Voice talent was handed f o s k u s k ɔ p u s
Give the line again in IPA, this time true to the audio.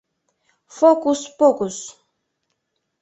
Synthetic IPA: f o k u s p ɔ k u s